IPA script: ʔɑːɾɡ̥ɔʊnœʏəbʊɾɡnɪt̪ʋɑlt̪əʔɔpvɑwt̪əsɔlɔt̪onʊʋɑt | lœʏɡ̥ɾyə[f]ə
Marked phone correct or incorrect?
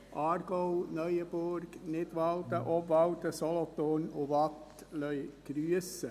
incorrect